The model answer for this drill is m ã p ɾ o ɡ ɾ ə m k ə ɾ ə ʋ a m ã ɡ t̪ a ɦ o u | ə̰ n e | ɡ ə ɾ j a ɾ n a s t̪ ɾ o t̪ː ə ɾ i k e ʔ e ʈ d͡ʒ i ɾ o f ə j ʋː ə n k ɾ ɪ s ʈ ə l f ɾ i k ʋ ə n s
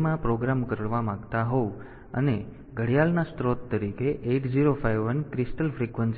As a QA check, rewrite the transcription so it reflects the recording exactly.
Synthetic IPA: m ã p ɾ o ɡ ɾ a m k ə ɾ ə ʋ a m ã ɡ t̪ a ɦ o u | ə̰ n e | ɡ ə ɽ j a l n a s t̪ ɾ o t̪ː ə ɾ i k e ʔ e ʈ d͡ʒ i ɾ o f a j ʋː ə n k ɾ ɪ s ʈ ə l f ɾ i k ʋ ə n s